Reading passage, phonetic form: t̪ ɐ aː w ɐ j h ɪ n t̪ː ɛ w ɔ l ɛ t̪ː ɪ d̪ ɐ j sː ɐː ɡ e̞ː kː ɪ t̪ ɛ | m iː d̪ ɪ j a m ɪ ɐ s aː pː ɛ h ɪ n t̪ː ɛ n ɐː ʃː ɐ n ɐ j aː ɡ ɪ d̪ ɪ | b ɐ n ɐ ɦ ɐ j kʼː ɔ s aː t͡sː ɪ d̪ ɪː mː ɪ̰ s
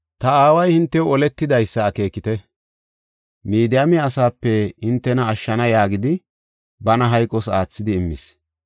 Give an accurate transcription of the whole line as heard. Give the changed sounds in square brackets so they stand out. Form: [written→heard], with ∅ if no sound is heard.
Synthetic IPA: t̪ ɐ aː w ɐ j h ɪ n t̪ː ɛ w ɔ l ɛ t̪ː ɪ d̪ ɐ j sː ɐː [ɡ→k] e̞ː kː ɪ t̪ ɛ | m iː d̪ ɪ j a m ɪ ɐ s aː pː ɛ h ɪ n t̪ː ɛ n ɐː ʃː ɐ n ɐ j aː ɡ ɪ d̪ ɪ | b ɐ n ɐ ɦ ɐ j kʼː ɔ s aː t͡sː ɪ d̪ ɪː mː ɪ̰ s